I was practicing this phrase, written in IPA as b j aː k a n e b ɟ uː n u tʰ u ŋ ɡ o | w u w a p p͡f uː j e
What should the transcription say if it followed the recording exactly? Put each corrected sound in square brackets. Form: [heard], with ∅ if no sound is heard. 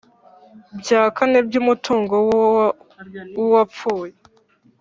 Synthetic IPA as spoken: b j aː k a n e b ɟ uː [m] u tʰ [uː] ŋ ɡ o | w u w a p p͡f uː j e